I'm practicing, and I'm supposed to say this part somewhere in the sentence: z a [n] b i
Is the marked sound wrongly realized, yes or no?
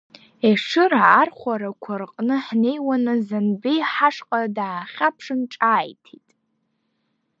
no